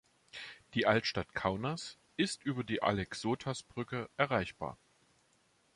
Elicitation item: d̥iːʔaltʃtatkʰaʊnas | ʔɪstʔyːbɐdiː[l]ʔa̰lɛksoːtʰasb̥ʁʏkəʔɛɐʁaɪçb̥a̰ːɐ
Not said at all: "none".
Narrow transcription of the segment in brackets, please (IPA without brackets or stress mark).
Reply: none